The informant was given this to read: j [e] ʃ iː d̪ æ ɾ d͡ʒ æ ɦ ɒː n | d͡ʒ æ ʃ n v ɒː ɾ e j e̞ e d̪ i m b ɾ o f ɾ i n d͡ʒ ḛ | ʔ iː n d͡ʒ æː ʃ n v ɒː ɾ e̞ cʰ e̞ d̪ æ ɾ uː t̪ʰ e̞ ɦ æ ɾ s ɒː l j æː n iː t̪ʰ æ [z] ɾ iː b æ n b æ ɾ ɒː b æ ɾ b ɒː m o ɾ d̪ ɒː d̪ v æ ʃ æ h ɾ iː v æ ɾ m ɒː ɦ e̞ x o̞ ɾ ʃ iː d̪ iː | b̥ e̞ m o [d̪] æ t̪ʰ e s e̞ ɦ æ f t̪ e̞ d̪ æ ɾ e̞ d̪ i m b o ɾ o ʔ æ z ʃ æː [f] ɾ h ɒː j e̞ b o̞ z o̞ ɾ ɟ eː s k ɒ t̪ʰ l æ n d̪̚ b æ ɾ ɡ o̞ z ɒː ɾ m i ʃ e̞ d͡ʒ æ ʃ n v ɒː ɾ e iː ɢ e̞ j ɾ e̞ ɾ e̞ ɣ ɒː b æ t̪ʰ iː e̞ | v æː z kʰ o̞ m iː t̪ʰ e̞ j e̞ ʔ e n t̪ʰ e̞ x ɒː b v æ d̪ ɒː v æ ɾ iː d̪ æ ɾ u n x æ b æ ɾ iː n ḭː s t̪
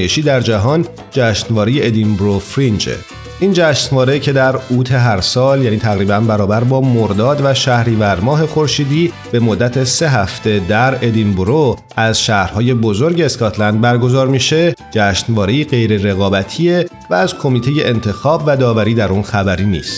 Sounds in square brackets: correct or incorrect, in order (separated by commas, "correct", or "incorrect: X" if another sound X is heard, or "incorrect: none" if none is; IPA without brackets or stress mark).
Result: correct, incorrect: ɣ, incorrect: d̪ː, incorrect: h